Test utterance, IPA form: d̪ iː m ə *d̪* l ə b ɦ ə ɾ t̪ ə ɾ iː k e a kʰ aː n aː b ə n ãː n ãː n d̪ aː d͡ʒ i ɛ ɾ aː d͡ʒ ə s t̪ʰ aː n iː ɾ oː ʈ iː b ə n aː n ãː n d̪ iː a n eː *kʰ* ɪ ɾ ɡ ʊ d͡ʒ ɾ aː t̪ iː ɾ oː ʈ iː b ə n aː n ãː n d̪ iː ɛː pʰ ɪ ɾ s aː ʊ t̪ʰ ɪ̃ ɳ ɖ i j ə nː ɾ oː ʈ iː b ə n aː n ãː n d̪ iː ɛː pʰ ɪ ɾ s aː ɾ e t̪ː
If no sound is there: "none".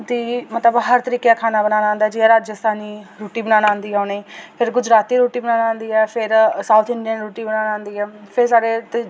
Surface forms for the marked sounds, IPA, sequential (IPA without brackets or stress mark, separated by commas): t̪, pʰ